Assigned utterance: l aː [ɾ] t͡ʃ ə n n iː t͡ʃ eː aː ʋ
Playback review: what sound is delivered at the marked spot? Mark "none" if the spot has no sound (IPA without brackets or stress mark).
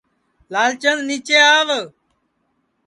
l